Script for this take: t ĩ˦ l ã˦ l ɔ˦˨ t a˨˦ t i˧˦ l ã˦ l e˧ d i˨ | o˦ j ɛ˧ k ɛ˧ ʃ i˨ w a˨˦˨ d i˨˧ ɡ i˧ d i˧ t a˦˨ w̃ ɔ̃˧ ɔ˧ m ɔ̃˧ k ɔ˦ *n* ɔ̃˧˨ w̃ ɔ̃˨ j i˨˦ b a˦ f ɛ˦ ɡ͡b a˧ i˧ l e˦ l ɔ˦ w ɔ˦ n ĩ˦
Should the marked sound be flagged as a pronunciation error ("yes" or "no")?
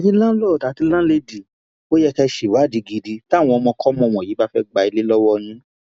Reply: yes